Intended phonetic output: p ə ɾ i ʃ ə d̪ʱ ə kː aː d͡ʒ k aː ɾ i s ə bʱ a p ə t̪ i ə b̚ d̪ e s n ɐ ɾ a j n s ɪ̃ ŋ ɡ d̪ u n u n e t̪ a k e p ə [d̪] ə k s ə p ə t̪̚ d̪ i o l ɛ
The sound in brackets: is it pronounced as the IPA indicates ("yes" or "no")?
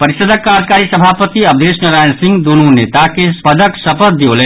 yes